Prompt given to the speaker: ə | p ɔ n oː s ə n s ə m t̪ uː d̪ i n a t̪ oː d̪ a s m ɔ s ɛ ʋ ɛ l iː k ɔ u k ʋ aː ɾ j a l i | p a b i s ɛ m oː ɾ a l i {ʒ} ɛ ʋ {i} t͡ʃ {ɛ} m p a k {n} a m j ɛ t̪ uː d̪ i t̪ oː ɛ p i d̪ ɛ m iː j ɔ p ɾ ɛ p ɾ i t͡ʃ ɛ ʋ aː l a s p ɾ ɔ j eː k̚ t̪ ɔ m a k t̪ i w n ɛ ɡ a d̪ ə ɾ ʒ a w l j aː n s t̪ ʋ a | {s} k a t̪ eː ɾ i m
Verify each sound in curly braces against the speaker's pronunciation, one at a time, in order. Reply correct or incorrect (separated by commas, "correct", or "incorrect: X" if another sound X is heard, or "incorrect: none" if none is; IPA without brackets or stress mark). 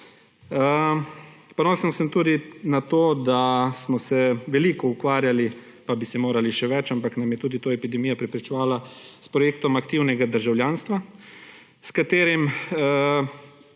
incorrect: ʃ, incorrect: ɛ, incorrect: a, correct, correct